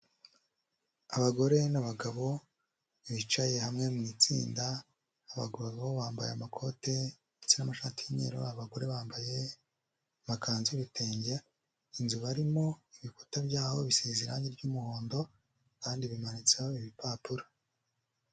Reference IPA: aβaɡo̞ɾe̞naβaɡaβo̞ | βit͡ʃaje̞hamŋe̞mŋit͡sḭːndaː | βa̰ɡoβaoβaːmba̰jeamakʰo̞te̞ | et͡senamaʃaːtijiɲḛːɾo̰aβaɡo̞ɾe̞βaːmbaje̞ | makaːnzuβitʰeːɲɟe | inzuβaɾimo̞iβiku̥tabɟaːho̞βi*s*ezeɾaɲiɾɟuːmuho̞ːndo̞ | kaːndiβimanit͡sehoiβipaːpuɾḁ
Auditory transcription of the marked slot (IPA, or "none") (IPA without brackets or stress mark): s